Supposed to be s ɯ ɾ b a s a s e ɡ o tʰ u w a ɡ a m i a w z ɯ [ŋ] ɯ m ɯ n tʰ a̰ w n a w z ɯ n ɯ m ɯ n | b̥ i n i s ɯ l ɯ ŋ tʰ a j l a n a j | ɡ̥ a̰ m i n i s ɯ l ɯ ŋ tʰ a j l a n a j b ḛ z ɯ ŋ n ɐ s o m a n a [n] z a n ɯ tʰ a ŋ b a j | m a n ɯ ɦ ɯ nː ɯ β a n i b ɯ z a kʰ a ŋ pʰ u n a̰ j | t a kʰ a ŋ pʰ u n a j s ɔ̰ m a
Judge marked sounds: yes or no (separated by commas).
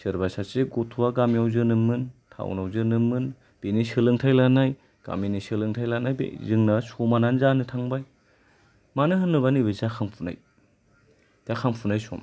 no, yes